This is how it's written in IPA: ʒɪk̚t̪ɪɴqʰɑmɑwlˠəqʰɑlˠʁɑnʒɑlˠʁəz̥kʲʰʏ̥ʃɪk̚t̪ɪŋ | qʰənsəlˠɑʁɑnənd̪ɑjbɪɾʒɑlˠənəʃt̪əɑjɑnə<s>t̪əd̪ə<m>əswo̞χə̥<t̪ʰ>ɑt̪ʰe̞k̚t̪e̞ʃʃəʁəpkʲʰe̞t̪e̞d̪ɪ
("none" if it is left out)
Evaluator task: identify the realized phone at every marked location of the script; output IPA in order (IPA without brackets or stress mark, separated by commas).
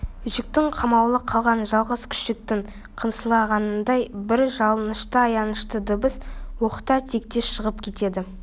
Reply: ʃ, b, t̪